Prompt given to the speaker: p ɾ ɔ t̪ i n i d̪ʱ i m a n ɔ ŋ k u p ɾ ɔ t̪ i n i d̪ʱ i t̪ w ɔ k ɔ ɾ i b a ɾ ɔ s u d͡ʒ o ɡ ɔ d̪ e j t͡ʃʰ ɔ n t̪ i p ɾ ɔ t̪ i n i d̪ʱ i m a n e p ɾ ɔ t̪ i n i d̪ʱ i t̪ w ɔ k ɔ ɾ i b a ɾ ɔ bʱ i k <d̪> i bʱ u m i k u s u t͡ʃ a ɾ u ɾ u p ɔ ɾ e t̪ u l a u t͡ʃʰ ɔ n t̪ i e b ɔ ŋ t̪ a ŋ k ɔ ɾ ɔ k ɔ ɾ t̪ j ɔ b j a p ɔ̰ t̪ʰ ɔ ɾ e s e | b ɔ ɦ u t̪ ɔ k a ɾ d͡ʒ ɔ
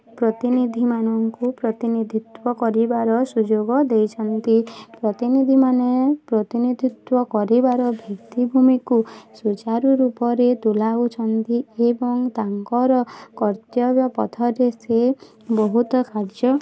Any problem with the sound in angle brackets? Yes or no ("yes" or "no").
yes